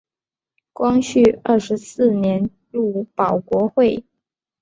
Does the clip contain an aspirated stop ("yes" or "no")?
no